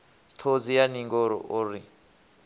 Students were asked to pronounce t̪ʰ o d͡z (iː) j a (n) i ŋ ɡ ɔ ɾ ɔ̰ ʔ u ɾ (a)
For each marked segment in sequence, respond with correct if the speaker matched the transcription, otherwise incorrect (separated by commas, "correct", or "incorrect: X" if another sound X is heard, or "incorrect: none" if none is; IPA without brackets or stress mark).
incorrect: i, correct, incorrect: i